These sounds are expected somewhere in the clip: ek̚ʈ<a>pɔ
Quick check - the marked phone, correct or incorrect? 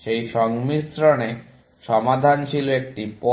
incorrect: i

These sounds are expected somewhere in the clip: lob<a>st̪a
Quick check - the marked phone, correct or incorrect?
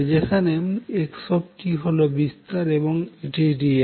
incorrect: i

